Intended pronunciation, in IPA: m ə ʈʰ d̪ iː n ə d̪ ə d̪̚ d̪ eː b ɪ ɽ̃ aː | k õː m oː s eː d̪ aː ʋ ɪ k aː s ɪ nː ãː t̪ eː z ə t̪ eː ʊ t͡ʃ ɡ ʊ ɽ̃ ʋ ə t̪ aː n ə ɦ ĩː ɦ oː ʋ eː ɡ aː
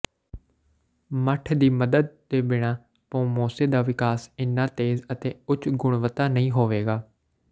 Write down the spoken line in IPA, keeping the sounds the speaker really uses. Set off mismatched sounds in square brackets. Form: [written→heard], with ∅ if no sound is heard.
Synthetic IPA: m ə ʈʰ d̪ iː [n→m] ə d̪ ə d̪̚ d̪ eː b ɪ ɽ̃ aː | [k→p] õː m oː s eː d̪ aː ʋ ɪ k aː s ɪ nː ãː t̪ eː z ə t̪ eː ʊ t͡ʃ ɡ ʊ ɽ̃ ʋ ə t̪ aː n ə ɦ ĩː ɦ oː ʋ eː ɡ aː